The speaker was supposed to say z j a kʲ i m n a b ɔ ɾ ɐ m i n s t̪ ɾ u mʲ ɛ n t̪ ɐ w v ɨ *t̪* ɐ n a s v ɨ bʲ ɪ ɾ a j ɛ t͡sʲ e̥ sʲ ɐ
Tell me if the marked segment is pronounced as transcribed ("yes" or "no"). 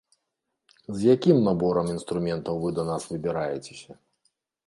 no